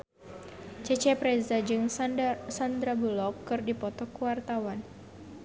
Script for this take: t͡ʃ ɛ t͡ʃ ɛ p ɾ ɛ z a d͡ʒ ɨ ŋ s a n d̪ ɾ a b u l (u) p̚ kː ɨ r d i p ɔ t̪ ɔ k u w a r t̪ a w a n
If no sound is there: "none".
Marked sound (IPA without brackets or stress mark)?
ɔ